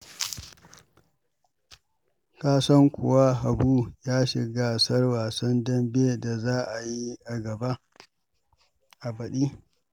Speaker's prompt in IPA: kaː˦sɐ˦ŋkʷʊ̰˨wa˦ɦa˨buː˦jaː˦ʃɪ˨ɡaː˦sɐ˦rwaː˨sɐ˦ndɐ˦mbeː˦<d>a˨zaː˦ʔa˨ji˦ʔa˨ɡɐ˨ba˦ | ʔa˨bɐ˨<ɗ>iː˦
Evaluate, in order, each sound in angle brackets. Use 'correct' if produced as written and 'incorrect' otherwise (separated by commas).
correct, correct